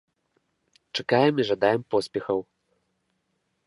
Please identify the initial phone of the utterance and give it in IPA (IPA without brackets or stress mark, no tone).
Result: t͡ʂ